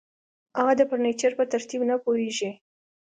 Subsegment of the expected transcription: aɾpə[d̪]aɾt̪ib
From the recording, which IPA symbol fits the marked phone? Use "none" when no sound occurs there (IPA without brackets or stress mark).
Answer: t̪